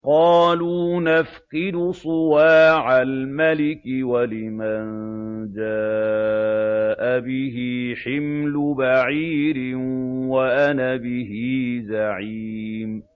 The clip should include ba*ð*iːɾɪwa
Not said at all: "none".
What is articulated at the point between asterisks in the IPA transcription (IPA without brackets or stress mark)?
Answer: ʕ